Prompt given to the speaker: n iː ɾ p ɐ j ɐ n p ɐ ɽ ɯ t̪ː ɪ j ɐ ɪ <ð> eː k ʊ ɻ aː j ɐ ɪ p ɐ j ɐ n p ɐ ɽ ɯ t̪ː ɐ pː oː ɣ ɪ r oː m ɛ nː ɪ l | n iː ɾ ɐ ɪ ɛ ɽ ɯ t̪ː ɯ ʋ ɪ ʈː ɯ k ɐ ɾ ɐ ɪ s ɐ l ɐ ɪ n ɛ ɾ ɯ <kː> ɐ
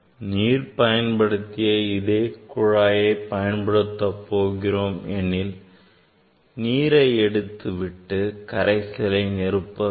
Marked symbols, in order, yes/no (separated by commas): yes, no